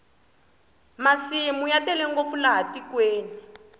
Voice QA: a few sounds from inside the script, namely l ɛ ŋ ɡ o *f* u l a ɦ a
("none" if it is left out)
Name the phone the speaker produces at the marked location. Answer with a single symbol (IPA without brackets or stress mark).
f